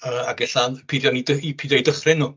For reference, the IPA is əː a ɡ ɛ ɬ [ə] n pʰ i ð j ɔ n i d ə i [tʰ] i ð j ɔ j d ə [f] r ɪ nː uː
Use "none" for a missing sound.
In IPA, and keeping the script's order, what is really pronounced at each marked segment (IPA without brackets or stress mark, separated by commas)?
a, pʰ, χ